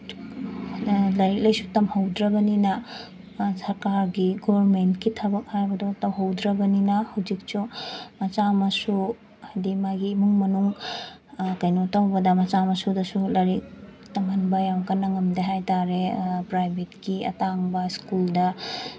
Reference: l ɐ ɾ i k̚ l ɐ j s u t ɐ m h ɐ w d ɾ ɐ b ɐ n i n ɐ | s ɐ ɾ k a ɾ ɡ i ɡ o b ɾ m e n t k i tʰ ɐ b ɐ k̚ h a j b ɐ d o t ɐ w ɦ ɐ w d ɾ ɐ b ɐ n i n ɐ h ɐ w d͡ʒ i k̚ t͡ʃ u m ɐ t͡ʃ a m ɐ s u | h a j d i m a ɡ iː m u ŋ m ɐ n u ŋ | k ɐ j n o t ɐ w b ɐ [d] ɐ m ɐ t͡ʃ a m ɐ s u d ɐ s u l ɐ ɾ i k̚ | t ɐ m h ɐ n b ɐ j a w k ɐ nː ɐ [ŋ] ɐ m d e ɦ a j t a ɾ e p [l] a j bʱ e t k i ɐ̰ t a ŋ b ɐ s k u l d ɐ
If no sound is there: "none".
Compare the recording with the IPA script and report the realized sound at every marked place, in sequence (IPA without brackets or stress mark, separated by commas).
d, ŋ, ɾ